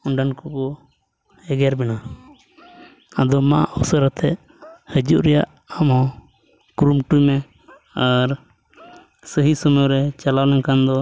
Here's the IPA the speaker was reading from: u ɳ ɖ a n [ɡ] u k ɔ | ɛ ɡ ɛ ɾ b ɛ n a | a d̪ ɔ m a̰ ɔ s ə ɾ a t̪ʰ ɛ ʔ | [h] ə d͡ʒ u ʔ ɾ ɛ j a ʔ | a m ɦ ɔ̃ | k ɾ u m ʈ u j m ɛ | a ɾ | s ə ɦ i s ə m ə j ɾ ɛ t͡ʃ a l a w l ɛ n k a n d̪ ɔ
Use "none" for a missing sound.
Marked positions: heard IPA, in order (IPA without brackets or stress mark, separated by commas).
k, h